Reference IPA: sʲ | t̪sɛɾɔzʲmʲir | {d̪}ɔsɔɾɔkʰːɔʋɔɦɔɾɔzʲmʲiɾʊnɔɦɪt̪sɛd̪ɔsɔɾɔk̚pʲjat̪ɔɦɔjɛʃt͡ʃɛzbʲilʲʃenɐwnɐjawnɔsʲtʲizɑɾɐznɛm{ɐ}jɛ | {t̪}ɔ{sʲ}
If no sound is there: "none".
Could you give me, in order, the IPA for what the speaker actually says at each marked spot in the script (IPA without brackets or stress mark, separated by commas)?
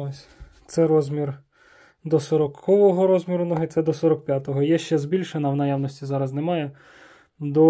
d̪, ɑ, d̪, none